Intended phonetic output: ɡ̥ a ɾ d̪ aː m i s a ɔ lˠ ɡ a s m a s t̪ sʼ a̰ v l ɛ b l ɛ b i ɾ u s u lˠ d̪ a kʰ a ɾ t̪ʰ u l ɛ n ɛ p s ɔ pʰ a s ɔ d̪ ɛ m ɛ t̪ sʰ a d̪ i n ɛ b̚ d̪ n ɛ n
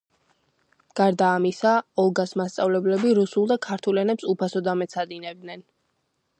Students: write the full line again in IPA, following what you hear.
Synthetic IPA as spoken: ɡ̥ a ɾ d̪ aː m i s a ɔ lˠ ɡ a s m a s t̪ sʼ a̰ v l ɛ b l ɛ b i ɾ u s u lˠ d̪ a kʰ a ɾ t̪ʰ u l ɛ n ɛ p s u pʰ a s ɔ d̪ a m ɛ t̪ sʰ a d̪ i n ɛ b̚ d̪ n ɛ n